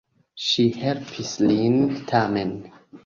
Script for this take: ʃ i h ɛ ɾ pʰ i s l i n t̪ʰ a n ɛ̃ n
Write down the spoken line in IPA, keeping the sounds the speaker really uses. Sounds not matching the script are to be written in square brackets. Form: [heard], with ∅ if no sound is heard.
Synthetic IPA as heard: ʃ i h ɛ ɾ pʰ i s l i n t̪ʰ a [m] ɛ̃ n